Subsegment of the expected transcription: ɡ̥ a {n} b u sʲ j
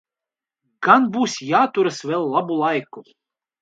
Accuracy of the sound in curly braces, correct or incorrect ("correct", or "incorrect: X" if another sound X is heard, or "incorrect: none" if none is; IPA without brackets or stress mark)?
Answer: correct